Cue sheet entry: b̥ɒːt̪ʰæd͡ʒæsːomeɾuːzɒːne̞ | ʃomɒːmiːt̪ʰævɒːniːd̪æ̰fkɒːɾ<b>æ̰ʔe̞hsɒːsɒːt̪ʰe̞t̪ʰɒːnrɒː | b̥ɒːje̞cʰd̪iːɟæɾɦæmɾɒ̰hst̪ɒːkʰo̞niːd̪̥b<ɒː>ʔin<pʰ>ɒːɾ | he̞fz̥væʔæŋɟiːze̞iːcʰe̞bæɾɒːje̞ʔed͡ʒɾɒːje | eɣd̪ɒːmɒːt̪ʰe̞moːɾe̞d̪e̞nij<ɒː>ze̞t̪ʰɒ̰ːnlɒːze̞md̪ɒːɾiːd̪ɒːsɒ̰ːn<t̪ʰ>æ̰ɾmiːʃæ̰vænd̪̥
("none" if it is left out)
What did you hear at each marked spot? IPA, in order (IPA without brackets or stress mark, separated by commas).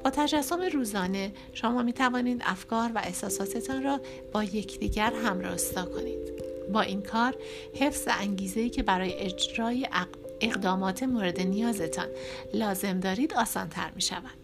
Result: v, ɒː, kʰ, ɒː, t̪ʰ